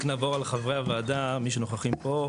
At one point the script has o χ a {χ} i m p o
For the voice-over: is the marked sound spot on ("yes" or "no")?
yes